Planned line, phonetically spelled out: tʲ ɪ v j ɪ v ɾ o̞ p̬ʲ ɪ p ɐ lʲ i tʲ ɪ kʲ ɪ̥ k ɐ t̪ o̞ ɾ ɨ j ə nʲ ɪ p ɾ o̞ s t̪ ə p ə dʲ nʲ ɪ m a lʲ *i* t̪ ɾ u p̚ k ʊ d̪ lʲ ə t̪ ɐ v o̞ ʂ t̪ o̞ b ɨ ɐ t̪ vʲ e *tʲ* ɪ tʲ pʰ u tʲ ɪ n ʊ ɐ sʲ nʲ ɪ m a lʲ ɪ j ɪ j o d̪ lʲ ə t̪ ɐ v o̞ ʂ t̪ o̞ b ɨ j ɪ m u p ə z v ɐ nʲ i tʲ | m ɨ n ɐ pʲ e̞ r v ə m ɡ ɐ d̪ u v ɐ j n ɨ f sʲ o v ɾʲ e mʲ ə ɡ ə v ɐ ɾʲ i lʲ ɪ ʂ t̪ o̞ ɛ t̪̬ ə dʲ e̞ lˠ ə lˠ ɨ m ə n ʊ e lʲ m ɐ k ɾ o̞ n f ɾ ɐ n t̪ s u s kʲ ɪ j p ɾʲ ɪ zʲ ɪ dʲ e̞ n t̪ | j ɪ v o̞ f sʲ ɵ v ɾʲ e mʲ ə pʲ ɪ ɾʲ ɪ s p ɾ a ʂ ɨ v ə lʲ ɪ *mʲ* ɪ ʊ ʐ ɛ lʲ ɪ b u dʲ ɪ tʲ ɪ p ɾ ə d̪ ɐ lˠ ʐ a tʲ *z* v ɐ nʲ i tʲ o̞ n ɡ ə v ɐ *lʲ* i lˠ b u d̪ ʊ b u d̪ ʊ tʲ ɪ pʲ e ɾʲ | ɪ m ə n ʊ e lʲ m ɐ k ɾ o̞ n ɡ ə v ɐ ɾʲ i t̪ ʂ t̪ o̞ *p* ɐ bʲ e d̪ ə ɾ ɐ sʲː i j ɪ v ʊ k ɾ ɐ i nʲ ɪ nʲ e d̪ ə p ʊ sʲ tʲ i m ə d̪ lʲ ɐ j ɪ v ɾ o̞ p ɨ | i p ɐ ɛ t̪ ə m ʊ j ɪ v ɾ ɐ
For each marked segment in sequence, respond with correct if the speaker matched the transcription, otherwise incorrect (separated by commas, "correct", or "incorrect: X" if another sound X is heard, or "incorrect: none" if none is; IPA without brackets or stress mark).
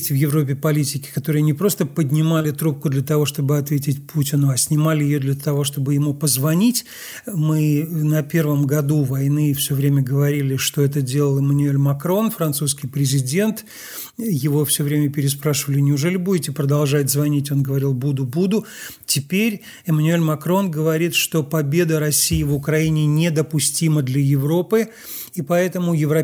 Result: incorrect: ɪ, correct, incorrect: nʲ, correct, incorrect: ɾʲ, correct